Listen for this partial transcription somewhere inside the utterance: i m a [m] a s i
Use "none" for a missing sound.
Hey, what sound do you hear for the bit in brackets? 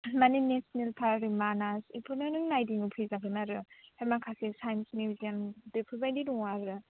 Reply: n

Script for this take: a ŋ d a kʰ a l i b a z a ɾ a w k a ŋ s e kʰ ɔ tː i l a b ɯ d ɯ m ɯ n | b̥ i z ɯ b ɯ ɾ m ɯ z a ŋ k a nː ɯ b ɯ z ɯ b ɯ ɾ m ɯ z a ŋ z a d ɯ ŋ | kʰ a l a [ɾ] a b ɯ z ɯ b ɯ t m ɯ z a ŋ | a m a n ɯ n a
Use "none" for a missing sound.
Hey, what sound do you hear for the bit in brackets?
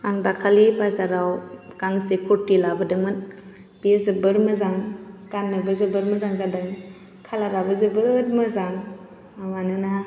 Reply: ɾ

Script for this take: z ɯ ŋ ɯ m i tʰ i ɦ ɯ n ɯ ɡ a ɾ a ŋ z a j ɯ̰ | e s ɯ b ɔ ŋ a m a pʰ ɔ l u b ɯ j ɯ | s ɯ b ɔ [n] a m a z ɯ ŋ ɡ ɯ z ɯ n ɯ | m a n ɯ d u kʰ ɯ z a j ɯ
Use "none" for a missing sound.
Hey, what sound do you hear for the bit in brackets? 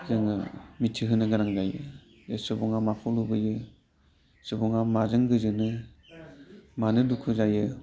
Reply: ŋ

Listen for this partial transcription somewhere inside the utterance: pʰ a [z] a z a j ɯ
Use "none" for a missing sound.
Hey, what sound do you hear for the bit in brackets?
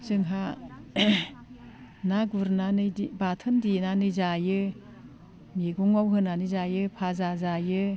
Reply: z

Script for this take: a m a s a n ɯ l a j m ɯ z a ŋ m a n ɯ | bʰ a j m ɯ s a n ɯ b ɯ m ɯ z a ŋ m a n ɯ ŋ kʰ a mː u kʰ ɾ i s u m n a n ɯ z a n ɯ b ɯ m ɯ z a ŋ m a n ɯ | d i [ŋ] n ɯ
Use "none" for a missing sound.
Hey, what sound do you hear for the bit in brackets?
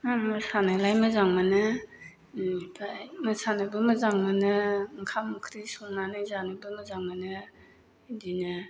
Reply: none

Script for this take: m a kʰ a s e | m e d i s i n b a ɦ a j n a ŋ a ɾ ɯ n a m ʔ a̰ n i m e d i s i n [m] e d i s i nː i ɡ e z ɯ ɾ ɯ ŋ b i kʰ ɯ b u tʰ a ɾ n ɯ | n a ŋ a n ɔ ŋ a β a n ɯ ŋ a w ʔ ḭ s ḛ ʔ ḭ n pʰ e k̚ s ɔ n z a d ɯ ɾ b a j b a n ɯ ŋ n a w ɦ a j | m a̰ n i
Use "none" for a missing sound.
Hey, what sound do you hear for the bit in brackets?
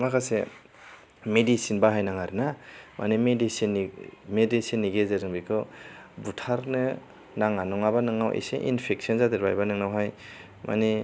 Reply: m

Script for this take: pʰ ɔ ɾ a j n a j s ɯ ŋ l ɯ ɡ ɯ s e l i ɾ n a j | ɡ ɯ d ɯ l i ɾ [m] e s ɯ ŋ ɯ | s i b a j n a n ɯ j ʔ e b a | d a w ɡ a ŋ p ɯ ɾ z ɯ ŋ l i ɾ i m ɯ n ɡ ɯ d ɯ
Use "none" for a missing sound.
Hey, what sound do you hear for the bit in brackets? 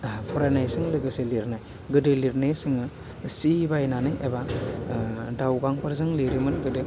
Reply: n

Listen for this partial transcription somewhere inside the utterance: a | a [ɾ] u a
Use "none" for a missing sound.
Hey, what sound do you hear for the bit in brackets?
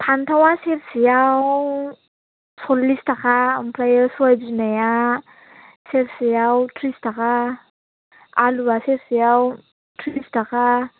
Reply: l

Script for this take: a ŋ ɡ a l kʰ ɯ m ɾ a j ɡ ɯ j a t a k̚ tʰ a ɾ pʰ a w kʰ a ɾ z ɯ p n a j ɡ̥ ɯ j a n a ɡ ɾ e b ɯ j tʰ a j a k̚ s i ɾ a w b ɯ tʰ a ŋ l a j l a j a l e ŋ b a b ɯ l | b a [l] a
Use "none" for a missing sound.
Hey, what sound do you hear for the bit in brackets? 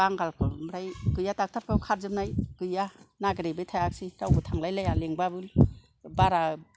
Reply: ɾ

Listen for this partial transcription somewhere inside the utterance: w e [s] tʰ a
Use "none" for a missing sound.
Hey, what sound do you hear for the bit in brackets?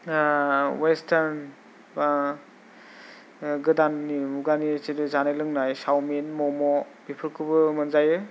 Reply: s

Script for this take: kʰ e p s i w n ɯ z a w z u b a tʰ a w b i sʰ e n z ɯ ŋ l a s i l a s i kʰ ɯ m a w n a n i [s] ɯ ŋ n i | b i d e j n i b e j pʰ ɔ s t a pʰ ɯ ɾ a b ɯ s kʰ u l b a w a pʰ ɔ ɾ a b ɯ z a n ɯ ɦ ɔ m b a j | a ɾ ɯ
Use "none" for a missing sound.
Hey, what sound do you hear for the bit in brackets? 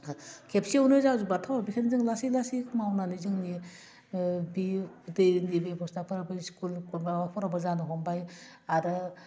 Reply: z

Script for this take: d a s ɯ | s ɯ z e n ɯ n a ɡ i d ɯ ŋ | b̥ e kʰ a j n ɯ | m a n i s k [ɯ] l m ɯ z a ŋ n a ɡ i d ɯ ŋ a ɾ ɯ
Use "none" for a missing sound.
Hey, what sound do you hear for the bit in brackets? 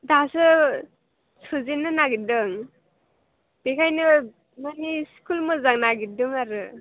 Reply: u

